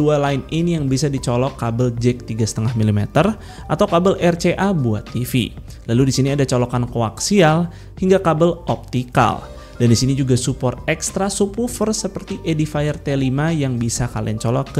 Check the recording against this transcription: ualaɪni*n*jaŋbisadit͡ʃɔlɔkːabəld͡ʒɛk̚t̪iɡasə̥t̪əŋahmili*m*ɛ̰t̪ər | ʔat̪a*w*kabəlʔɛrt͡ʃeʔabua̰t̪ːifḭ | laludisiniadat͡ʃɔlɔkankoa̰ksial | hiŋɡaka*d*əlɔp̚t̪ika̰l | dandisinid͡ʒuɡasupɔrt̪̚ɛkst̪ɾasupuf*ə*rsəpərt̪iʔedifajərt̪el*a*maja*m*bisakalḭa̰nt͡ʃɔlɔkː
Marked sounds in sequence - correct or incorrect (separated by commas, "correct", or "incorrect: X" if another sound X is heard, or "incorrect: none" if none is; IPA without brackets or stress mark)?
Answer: correct, correct, correct, incorrect: b, correct, incorrect: i, incorrect: ŋ